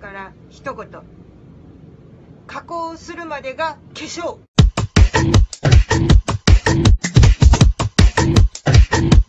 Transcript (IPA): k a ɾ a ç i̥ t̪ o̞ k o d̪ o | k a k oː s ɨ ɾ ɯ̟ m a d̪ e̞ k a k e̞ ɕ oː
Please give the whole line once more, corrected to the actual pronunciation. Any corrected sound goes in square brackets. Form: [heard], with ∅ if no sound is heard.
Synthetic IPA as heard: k a ɾ a ç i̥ t̪ o̞ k o [t̪] o | k a k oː s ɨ ɾ ɯ̟ m a d̪ e̞ [ɡ] a k e̞ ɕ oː